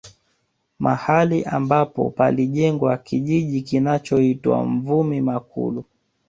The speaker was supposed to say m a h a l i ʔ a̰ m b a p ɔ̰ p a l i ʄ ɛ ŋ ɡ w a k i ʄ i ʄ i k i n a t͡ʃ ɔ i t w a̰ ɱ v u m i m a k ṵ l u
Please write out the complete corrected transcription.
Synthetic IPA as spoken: m a h a l i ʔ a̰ m b a p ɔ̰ p a l i ʄ ɛ ŋ ɡ w a k i ʄ i ʄ i k i n a t͡ʃ ɔ i t w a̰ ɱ v u m i m a k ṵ l u